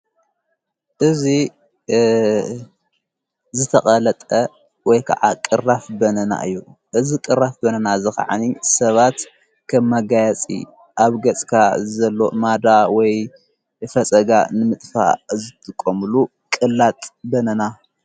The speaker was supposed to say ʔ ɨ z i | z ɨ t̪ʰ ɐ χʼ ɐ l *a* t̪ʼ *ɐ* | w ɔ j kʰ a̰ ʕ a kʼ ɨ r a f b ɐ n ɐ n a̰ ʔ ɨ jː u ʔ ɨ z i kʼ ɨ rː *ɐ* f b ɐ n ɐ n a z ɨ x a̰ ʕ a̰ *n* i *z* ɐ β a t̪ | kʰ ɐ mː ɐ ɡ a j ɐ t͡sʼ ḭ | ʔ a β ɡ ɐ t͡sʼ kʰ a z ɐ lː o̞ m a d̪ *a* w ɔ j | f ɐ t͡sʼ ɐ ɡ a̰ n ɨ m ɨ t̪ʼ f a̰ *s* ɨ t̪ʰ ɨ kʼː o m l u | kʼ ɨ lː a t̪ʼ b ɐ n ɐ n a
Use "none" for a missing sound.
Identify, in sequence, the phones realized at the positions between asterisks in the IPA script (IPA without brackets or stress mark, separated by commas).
ɐ, ɐ, a, n, s, a, z